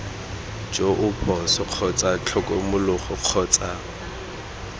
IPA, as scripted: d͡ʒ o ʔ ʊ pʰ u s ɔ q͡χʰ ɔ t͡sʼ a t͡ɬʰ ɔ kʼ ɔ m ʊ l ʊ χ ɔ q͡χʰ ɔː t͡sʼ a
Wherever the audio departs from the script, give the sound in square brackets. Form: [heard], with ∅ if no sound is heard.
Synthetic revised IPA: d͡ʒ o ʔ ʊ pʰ [ɔ] s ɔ q͡χʰ ɔ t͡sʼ a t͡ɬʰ ɔ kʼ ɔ m ʊ l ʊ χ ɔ q͡χʰ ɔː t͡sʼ a